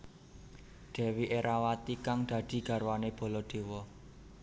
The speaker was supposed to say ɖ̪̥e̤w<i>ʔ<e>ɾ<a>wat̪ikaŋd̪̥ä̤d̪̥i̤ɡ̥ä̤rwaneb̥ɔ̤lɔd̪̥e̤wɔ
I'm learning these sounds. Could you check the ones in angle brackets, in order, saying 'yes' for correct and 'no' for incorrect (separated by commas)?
yes, yes, yes